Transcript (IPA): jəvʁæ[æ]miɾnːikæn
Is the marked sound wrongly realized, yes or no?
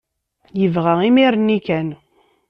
yes